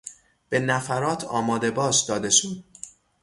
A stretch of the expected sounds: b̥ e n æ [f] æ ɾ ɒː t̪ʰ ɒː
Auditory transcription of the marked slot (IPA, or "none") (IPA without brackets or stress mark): f